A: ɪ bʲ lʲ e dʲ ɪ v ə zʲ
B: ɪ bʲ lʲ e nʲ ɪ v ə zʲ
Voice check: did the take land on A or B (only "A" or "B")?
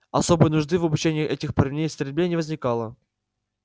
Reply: B